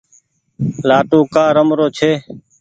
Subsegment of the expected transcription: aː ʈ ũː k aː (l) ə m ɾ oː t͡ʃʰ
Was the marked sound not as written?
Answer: yes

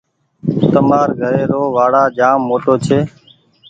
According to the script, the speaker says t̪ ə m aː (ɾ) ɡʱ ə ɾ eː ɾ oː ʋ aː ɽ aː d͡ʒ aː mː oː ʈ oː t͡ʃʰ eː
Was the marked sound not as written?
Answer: no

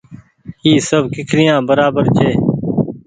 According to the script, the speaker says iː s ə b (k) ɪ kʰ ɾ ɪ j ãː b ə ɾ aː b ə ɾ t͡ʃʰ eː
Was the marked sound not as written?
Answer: no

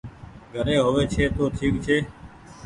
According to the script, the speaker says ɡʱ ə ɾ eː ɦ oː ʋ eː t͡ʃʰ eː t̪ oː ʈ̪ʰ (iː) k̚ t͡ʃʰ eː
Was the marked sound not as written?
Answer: no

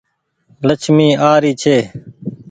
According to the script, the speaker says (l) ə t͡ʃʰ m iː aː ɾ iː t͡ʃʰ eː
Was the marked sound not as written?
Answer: no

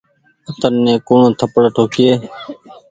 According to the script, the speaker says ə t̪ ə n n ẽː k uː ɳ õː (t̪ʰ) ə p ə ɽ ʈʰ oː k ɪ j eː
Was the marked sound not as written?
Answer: no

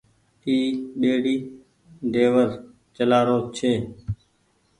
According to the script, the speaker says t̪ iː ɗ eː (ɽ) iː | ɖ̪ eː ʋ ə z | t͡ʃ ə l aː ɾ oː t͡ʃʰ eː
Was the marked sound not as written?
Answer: no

